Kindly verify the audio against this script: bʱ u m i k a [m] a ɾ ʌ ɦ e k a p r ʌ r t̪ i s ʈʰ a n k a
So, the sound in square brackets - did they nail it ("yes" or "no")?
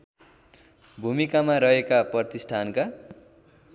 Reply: yes